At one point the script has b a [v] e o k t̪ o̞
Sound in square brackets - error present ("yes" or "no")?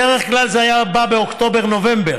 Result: yes